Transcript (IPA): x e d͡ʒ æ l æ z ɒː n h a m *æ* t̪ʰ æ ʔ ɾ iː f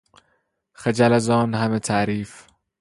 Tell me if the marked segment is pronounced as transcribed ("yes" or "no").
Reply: no